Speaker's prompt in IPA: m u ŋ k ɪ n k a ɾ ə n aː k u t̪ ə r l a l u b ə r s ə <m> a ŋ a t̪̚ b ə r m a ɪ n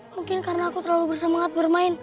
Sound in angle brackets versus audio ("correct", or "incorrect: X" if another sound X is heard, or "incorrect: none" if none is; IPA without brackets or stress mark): correct